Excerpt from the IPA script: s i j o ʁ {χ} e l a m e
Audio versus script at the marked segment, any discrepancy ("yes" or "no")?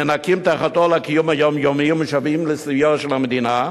yes